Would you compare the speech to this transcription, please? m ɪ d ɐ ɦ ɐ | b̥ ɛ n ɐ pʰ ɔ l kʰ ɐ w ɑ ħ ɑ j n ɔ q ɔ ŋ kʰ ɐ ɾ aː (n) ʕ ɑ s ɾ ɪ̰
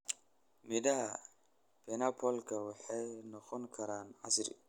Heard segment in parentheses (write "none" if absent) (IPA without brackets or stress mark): n